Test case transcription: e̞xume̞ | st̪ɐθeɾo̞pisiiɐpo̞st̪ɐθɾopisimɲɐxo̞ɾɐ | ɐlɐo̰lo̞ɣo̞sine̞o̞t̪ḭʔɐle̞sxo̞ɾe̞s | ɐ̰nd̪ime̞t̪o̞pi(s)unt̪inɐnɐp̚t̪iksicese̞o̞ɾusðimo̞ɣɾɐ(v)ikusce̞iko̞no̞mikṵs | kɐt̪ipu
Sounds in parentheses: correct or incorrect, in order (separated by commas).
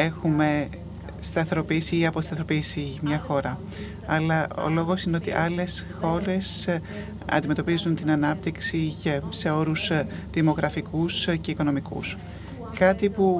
incorrect, incorrect